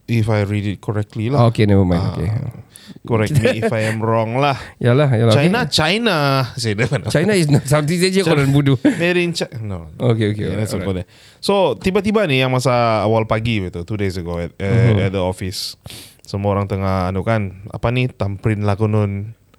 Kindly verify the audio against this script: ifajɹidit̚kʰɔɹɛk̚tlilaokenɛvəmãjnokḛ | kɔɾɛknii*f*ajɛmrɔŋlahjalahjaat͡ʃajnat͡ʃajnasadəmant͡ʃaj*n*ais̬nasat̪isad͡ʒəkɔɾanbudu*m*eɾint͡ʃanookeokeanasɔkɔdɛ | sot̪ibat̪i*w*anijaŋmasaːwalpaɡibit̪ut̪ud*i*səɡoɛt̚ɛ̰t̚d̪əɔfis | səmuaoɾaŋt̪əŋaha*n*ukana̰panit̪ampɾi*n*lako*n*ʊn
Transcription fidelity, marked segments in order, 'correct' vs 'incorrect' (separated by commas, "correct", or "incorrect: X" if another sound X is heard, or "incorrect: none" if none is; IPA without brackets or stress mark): correct, correct, correct, incorrect: b, incorrect: e, correct, correct, correct